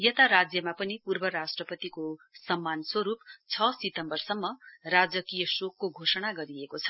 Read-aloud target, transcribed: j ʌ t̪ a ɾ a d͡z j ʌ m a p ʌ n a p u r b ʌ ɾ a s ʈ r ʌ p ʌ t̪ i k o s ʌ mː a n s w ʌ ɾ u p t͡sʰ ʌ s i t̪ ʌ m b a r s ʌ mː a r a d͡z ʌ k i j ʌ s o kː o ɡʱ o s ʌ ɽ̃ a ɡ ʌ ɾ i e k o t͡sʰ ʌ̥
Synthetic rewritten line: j ʌ t̪ a ɾ a d͡z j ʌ m a p ʌ n i p u r b ʌ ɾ a s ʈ r ʌ p ʌ t̪ i k o s ʌ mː a n s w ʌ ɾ u p t͡sʰ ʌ s i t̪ ʌ m b ʌ r s ʌ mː ʌ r a d͡z ʌ k i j ʌ s o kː o ɡʱ o s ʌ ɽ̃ a ɡ ʌ ɾ i e k o t͡sʰ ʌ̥